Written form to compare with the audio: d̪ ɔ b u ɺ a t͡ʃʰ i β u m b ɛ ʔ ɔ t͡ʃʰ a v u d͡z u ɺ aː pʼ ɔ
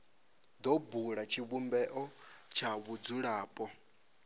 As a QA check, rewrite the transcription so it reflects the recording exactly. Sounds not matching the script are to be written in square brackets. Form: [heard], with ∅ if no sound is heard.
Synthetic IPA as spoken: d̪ ɔ b u ɺ a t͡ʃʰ i β u m b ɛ ʔ ɔ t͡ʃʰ a [β] u d͡z u ɺ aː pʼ ɔ